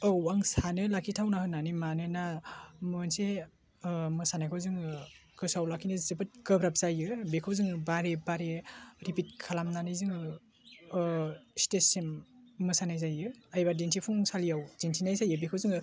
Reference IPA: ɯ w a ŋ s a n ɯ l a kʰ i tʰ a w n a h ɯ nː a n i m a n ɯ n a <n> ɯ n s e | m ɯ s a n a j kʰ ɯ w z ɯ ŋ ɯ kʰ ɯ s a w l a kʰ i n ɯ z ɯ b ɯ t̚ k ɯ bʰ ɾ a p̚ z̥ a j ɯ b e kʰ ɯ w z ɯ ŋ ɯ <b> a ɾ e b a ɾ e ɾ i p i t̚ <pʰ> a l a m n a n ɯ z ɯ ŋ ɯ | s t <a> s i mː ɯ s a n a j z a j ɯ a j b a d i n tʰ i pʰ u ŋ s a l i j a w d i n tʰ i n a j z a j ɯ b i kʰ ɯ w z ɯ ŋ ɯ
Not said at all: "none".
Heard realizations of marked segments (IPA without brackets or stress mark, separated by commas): m, b, kʰ, e